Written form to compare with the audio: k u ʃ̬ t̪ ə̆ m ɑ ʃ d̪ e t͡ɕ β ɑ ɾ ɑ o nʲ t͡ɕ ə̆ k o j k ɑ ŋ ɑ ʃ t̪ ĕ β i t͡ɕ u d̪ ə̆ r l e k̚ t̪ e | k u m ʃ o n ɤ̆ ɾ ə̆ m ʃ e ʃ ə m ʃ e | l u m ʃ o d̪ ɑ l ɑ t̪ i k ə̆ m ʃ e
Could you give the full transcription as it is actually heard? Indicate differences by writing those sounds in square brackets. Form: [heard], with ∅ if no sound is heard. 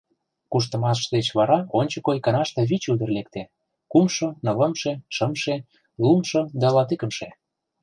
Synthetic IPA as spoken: k u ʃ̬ t̪ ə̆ m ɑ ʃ d̪ e t͡ɕ β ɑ ɾ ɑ o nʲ t͡ɕ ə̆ k o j k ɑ [n] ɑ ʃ t̪ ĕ β i t͡ɕ u d̪ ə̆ r l e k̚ t̪ e | k u m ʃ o n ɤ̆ [l] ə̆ m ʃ e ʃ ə m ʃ e | l u m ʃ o d̪ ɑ l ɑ t̪ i k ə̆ m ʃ e